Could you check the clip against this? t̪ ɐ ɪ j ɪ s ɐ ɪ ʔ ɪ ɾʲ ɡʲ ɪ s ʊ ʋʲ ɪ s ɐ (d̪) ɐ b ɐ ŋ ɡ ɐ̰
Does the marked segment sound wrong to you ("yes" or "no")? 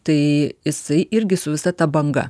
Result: yes